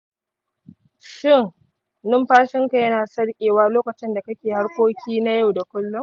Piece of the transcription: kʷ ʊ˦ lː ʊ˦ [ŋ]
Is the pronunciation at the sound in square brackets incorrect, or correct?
incorrect: m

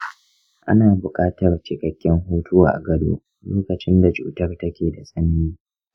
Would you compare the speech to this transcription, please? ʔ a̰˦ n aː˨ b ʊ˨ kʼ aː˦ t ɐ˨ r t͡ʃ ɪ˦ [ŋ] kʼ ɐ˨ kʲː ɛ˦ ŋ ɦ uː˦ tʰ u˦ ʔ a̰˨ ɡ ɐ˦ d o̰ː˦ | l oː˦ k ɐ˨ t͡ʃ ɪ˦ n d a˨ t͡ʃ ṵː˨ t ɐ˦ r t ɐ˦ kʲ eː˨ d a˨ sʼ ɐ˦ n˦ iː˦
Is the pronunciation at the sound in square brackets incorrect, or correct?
incorrect: none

